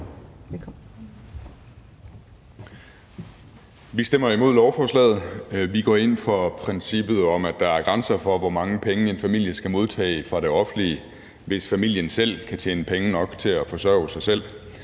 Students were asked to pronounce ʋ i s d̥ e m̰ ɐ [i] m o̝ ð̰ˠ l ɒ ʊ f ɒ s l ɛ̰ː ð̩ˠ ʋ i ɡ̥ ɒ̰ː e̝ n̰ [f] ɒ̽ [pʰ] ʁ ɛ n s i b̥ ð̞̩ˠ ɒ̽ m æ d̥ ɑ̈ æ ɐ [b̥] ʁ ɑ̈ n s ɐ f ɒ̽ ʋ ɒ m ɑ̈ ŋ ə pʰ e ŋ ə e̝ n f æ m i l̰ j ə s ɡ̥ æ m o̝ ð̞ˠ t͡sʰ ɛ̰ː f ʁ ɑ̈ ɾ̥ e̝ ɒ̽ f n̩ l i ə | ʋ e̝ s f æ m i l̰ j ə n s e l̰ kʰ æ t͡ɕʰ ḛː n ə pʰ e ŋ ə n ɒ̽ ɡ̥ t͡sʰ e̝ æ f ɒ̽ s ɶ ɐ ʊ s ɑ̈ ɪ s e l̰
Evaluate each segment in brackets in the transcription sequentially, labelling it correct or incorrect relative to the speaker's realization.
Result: correct, correct, correct, incorrect

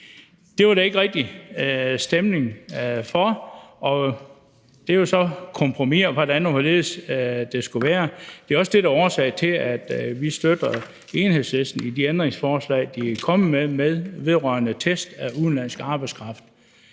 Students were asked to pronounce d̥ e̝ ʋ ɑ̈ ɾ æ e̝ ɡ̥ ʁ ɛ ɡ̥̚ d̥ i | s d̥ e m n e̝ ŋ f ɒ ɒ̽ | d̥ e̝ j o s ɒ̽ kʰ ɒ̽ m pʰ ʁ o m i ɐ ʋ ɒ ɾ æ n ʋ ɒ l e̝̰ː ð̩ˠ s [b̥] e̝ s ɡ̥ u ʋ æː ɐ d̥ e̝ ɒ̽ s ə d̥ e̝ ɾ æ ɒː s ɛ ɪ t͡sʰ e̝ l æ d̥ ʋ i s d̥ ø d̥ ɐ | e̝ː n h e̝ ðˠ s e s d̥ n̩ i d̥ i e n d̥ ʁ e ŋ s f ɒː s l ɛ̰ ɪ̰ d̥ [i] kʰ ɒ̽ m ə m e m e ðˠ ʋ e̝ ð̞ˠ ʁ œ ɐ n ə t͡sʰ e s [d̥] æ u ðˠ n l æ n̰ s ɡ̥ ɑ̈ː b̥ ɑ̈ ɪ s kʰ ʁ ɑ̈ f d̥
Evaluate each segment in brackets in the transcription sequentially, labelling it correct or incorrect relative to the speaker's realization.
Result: incorrect, correct, correct

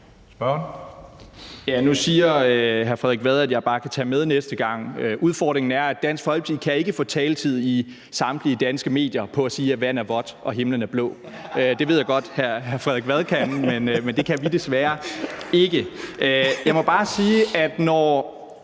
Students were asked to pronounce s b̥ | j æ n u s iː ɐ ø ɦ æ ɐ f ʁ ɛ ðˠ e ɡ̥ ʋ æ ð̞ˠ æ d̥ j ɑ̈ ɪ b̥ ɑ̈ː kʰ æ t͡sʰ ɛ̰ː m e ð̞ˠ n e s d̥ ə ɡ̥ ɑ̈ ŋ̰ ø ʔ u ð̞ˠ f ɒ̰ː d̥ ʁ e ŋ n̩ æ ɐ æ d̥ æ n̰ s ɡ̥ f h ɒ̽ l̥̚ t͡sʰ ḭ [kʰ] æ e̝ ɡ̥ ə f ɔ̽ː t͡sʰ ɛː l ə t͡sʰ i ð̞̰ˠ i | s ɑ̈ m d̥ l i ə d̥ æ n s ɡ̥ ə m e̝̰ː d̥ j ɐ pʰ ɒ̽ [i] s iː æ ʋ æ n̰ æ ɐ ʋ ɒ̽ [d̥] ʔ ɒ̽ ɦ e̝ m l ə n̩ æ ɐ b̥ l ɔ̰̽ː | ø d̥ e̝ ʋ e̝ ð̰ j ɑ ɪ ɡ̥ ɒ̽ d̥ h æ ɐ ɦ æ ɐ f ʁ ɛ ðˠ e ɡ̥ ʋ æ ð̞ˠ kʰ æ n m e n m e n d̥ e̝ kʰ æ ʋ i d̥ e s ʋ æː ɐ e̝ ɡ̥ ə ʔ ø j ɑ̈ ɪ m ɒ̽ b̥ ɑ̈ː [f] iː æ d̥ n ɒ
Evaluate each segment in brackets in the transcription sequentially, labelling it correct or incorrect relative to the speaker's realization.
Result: correct, incorrect, correct, incorrect

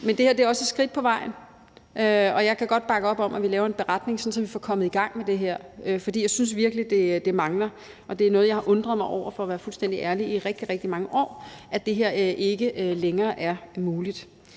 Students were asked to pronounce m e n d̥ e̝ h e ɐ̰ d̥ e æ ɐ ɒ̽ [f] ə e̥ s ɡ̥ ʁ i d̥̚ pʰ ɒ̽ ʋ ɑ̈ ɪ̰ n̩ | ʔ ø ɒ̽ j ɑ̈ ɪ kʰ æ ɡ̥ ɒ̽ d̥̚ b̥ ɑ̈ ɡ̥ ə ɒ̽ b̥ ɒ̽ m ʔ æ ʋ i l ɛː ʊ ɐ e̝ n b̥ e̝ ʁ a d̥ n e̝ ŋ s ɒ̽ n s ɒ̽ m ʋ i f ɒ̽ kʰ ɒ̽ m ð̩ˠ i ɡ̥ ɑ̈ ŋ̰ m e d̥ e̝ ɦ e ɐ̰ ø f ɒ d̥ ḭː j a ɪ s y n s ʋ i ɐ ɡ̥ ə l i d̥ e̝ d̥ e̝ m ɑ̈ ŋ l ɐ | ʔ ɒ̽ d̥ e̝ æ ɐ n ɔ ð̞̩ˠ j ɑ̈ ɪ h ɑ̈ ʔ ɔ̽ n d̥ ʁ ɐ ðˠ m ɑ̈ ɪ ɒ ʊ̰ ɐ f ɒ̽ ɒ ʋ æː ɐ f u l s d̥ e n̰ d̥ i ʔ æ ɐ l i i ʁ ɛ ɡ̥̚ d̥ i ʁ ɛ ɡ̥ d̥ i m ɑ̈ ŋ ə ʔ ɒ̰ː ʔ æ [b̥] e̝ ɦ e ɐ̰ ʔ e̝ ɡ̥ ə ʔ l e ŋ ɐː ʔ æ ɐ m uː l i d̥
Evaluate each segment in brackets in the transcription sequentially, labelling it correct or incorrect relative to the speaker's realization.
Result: incorrect, incorrect

